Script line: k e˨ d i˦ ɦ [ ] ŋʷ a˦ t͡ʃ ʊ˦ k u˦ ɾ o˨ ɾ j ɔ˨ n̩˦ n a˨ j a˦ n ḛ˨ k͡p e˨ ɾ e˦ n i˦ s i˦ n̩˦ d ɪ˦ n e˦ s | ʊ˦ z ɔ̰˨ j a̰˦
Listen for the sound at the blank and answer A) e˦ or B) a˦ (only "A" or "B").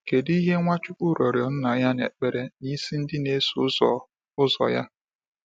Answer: A